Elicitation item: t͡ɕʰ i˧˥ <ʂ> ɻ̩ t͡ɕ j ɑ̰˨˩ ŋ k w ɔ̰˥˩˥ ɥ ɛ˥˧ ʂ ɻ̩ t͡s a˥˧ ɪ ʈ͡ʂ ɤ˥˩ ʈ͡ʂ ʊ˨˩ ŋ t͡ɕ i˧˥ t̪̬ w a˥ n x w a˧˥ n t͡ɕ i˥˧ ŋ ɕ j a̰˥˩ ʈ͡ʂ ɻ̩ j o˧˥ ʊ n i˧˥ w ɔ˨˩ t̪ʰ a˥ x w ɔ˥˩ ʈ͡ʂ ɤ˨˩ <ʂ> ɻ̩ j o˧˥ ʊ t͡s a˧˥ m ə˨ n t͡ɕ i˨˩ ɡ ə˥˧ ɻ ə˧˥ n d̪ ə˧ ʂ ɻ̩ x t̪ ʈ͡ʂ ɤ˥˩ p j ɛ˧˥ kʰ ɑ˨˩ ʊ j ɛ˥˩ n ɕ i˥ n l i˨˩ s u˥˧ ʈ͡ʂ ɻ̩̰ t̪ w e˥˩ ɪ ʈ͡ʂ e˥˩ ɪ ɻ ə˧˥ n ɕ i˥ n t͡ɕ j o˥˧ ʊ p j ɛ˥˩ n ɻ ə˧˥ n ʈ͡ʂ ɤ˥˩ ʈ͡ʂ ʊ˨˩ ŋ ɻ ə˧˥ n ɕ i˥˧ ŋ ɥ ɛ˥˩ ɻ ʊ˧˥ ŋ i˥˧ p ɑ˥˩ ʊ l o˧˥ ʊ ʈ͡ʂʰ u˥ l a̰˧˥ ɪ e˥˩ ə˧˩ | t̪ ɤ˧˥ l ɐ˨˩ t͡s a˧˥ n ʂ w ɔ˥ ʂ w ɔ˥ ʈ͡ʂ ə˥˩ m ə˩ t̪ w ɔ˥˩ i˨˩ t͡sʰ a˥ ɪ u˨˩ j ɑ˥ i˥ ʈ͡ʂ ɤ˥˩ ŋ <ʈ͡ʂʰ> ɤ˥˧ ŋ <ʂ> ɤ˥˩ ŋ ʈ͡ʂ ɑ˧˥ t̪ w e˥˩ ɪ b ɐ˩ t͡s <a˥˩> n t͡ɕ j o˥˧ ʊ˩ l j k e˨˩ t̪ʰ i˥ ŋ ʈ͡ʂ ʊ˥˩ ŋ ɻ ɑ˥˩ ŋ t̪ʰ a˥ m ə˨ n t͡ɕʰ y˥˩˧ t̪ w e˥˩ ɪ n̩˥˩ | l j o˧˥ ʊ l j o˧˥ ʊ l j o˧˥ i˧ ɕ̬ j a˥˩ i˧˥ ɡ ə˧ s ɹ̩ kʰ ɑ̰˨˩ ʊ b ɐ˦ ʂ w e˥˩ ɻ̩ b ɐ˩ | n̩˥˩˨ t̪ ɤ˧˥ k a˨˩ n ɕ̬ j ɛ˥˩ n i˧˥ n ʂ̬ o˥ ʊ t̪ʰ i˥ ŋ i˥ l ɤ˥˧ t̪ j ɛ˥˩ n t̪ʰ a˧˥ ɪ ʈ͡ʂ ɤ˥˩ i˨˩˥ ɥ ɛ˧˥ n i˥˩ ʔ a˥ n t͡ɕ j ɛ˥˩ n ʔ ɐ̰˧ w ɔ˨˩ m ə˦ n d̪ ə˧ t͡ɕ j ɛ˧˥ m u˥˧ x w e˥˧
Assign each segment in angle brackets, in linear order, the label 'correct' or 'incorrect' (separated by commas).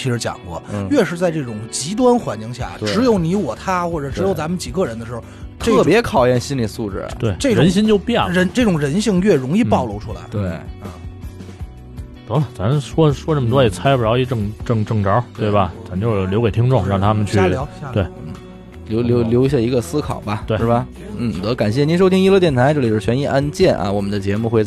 correct, incorrect, incorrect, incorrect, incorrect